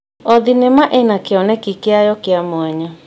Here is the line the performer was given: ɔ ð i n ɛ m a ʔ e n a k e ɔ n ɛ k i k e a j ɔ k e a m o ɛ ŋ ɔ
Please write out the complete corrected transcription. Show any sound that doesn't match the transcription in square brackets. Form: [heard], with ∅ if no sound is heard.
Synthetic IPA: ɔ ð i n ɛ m a ʔ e n a k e ɔ n ɛ k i k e a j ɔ k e a m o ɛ [ɲ] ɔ